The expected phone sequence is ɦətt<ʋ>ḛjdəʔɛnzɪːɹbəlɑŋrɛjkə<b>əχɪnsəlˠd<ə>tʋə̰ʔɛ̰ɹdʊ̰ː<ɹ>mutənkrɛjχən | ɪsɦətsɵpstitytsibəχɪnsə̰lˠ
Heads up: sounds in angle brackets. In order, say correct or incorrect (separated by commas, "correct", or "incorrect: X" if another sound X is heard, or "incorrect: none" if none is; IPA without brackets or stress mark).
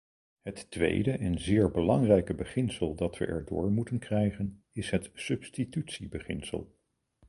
correct, correct, incorrect: ɑ, correct